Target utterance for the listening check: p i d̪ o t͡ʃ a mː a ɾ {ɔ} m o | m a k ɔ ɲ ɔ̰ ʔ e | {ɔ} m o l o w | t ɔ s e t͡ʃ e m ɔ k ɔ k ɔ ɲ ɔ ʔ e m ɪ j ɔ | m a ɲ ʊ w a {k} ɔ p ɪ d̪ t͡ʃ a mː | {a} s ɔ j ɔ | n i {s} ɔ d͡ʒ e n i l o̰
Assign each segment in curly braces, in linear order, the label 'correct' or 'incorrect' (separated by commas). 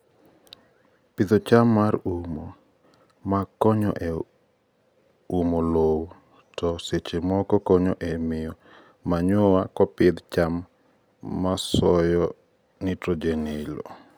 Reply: incorrect, incorrect, correct, correct, incorrect